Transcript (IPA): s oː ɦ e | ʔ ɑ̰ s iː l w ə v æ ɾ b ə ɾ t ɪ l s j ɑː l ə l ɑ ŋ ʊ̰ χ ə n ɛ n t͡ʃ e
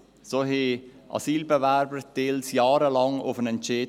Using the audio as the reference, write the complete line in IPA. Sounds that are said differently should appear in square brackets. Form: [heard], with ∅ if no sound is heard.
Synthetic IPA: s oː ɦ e | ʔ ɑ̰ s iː l [b] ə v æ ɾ b ə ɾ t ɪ l s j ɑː [ɾ] ə l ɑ ŋ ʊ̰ [f] ə n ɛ n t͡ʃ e